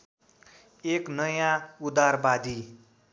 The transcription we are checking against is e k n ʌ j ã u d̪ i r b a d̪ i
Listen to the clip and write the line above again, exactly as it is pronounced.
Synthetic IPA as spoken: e k n ʌ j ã u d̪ a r b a d̪ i